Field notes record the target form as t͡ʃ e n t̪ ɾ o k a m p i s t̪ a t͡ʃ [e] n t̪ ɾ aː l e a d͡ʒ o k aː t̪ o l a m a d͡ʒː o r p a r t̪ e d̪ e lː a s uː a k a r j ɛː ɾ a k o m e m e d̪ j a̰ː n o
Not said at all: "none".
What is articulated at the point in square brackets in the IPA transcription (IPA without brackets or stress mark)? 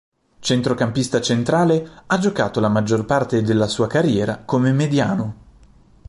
e